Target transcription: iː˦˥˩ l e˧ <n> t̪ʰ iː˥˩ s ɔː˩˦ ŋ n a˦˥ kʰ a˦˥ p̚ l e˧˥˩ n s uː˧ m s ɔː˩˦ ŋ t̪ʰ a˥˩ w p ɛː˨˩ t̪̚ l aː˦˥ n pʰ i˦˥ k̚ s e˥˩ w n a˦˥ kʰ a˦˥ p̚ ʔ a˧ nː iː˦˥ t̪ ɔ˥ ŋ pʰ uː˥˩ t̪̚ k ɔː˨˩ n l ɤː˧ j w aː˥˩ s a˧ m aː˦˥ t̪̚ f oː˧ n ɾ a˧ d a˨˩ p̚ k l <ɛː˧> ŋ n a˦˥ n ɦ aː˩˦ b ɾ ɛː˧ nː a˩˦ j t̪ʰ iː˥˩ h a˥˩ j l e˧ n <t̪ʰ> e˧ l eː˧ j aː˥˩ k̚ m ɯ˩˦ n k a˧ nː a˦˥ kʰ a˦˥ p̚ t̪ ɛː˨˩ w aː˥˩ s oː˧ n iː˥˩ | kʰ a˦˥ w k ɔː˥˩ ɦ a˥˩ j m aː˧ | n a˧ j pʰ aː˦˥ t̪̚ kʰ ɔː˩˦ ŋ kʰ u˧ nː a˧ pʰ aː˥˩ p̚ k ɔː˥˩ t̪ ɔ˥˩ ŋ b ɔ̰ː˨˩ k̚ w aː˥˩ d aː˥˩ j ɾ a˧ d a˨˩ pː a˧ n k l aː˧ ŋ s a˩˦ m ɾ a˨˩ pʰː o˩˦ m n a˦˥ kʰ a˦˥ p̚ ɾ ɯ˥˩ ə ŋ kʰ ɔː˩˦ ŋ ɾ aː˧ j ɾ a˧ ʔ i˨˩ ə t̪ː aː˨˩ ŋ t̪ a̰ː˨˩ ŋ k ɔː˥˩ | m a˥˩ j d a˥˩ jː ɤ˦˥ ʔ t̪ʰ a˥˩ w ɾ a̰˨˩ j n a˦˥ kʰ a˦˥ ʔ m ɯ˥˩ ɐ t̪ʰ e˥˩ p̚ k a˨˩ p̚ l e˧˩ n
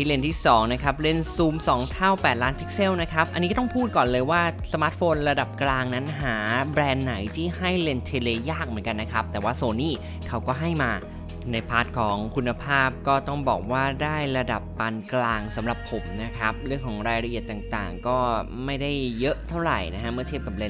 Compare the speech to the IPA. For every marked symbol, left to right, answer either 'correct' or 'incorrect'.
correct, incorrect: aː˧, correct

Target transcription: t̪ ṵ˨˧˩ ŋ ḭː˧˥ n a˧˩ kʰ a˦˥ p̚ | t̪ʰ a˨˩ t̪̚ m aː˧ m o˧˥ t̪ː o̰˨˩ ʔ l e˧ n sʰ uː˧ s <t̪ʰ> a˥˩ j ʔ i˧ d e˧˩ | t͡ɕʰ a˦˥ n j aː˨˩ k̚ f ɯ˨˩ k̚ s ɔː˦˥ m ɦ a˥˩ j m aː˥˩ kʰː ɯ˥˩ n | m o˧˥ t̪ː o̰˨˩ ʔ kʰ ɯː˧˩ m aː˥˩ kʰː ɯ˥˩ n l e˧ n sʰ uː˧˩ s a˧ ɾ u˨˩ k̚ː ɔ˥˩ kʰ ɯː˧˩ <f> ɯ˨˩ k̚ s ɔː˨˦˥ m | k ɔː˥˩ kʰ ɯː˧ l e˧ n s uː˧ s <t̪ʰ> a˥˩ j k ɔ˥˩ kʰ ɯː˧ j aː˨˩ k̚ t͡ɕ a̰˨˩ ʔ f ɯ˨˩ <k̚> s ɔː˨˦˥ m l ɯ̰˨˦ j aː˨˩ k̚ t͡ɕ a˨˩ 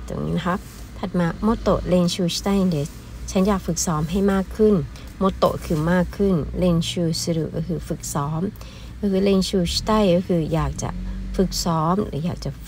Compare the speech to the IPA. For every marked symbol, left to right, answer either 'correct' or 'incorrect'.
incorrect: t̪, correct, incorrect: t̪, correct

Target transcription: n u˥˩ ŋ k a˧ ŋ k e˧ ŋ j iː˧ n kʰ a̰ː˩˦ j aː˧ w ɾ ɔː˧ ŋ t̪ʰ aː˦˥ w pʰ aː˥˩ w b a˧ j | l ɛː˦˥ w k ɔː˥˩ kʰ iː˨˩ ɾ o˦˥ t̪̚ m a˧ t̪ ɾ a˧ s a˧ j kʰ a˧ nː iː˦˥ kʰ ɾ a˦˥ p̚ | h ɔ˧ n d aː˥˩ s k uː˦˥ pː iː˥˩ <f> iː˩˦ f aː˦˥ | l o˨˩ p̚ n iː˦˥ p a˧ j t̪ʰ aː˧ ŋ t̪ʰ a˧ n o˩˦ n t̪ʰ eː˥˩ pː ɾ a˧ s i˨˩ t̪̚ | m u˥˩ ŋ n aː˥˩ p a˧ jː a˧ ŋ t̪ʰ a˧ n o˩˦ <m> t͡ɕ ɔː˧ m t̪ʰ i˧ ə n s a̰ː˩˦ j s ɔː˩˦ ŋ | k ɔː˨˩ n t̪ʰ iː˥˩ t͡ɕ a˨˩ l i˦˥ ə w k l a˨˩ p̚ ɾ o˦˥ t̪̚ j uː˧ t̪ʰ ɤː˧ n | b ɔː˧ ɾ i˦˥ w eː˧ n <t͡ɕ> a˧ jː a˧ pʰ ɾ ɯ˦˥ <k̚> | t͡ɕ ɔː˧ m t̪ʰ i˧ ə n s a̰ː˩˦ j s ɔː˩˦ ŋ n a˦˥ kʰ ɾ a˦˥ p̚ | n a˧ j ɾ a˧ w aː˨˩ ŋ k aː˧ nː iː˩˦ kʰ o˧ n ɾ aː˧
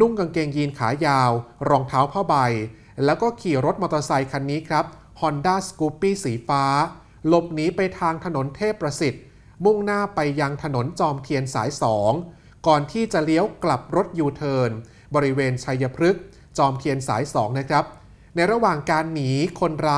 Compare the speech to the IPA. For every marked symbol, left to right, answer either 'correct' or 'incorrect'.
incorrect: s, incorrect: n, incorrect: t͡ɕʰ, correct

